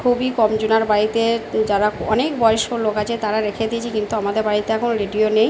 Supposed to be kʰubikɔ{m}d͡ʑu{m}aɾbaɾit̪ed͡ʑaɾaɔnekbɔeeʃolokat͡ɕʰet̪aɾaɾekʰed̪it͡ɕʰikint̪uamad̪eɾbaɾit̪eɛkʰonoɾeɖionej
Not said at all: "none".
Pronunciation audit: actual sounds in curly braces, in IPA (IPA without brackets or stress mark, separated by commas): m, n